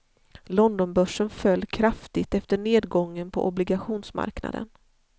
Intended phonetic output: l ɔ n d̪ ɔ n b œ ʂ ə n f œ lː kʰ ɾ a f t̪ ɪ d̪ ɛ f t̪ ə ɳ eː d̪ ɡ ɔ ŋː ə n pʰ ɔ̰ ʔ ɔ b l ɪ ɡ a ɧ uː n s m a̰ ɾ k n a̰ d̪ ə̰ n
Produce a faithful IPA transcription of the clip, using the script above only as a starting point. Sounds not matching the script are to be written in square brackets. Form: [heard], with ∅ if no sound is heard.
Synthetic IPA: l ɔ n d̪ ɔ n b œ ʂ ə n f œ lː kʰ ɾ a f t̪ ɪ [t̪] ɛ f t̪ ə ɳ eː d̪ ɡ ɔ ŋː ə n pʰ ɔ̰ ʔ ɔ b l ɪ ɡ a ɧ uː n s m a̰ ɾ k n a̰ d̪ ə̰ n